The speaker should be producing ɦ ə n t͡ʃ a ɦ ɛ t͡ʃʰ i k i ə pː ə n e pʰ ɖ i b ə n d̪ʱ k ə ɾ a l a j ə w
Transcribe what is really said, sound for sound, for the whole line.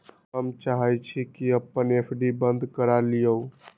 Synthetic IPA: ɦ ə m t͡ʃ a ɦ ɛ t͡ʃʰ i k i ə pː ə n e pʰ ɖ i b ə n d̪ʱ k ə ɾ a l i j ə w